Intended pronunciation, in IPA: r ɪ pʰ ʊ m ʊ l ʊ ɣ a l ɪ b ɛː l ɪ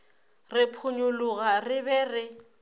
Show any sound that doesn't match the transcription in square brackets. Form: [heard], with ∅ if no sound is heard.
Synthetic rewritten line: r ɪ pʰ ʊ [ɲ] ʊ l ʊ ɣ a [r] ɪ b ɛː [r] ɪ